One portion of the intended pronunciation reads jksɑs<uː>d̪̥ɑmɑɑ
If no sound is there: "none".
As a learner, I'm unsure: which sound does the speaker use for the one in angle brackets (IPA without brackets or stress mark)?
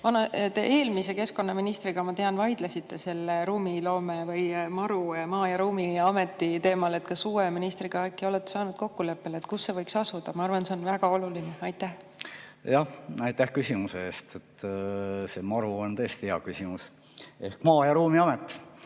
u